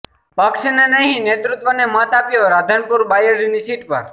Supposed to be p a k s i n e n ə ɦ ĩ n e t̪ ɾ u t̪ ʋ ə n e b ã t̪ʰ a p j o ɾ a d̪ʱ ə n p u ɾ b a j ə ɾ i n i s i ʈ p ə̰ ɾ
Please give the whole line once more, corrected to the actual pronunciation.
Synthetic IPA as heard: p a k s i n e n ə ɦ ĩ n e t̪ ɾ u t̪ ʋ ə n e m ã t̪ a p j o ɾ a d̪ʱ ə n p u ɾ b a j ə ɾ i n i s i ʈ p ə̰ ɾ